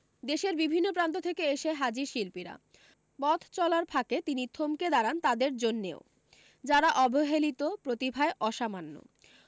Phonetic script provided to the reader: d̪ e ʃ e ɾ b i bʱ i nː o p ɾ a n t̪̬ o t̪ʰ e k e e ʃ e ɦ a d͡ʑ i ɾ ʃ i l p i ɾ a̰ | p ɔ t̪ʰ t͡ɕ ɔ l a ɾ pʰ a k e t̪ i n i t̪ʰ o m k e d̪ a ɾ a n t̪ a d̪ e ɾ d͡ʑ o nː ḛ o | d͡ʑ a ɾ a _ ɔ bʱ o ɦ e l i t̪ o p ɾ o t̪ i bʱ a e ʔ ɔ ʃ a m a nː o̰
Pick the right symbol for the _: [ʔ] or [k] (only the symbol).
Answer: ʔ